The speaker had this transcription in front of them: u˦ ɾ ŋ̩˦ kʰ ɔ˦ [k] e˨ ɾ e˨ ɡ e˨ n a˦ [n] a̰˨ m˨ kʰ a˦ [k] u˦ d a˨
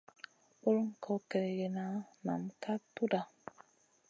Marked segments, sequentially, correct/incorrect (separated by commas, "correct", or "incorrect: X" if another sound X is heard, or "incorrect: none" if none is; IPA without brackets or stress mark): correct, correct, incorrect: t